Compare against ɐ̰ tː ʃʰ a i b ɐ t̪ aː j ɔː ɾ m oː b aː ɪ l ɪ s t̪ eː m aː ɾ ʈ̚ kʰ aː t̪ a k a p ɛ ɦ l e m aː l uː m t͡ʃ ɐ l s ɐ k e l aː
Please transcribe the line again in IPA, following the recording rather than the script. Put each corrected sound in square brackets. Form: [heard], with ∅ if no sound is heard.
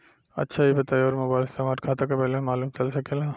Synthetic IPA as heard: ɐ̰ tː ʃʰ a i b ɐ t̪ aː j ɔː ɾ m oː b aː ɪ l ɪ s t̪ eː m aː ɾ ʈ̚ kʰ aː t̪ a k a p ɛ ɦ l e m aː l uː m t͡ʃ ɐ l s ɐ k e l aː